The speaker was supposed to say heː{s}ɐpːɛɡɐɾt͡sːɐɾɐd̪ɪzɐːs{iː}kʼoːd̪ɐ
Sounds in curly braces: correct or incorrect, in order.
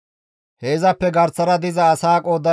incorrect: z, incorrect: aː

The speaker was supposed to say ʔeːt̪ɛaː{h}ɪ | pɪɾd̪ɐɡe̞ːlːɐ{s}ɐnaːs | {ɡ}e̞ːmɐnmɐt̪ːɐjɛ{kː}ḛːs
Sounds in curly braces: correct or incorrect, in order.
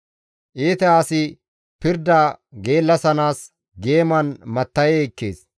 incorrect: s, correct, correct, correct

